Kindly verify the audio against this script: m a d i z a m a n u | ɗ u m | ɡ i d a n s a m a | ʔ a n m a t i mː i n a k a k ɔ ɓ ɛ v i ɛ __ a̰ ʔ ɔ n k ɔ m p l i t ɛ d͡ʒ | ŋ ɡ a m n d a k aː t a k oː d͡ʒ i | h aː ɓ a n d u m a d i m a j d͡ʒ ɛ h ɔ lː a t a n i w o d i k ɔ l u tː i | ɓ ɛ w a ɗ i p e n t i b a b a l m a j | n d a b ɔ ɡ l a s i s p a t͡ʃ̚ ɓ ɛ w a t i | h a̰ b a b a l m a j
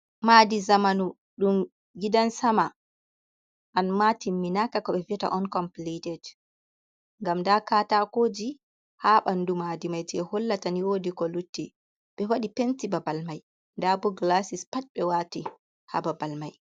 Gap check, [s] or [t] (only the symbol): t